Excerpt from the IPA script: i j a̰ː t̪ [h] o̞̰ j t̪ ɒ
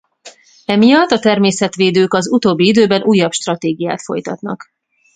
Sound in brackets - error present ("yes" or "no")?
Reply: yes